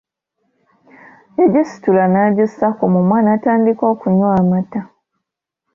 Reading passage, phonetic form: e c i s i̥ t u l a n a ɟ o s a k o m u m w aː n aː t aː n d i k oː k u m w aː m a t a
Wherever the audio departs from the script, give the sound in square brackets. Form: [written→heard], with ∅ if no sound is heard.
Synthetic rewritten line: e [c→ɟ] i s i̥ t u l a n a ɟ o s a k o m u m w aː n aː t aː n d i k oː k u [m→ɲ] w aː m a t a